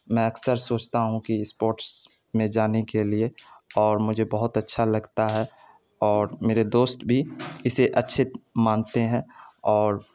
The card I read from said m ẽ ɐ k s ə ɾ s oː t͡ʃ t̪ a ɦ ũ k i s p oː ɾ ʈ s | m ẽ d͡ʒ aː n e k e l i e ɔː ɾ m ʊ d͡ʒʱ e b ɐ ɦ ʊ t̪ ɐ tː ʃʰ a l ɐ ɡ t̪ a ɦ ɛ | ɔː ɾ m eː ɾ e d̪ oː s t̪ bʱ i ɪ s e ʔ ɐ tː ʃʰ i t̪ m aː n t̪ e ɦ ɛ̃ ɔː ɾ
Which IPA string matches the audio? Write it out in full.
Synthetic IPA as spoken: m ɛ̃ ɐ k s ə ɾ s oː t͡ʃ t̪ a ɦ ũ k i s p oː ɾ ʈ s | m ẽ d͡ʒ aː n e k e l i e ɔː ɾ m ʊ d͡ʒʱ e b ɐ ɦ ʊ t̪ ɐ tː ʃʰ a l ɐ ɡ t̪ a ɦ ɛ | ɔː ɾ m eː ɾ e d̪ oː s t̪ bʱ i ɪ s e ʔ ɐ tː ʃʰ ɪ t̪ m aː n t̪ e ɦ ɛ̃ ɔː ɾ